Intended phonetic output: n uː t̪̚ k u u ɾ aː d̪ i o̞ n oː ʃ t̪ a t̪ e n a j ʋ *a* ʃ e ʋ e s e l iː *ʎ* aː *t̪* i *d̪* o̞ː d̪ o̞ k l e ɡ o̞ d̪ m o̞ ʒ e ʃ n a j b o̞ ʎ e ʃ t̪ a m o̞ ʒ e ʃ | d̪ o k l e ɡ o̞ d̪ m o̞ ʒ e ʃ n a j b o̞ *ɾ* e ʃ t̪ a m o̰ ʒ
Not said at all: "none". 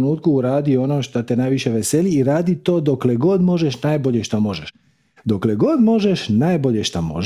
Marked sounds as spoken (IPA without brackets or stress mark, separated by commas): i, ɾ, d̪, t̪, ʎ